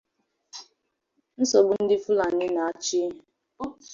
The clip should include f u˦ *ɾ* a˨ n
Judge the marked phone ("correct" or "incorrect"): incorrect